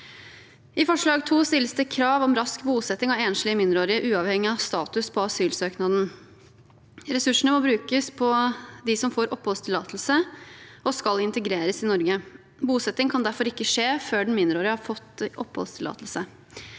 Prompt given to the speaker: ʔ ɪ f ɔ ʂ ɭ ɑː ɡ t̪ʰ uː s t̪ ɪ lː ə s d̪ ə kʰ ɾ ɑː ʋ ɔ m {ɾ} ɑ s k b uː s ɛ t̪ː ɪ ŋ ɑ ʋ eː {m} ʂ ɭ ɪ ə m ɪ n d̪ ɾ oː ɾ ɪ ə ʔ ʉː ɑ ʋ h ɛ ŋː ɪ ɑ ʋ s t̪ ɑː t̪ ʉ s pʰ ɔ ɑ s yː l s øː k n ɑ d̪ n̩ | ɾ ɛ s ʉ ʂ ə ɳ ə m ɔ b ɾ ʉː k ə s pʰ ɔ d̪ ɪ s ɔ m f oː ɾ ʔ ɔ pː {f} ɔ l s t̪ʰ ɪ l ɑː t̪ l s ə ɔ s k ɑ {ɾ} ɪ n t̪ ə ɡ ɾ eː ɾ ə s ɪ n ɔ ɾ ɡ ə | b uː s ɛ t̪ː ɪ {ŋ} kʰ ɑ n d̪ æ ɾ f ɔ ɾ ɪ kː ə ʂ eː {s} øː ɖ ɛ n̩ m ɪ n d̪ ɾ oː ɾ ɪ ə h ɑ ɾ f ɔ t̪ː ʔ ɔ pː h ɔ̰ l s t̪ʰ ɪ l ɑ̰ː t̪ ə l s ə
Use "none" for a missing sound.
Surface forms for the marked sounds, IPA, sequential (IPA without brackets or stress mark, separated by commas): ɾ, n, h, l, ŋ, f